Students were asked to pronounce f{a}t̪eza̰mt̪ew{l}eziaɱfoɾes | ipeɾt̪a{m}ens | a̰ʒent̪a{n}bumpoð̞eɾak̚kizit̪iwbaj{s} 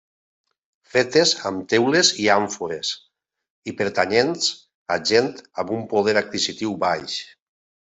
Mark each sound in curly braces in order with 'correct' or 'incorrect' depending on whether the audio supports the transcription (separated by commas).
incorrect, correct, incorrect, incorrect, incorrect